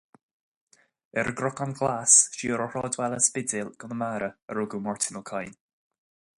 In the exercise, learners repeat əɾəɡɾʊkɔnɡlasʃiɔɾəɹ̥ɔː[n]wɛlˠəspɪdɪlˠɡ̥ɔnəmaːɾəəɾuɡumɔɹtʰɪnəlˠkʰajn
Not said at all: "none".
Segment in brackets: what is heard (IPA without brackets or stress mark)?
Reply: d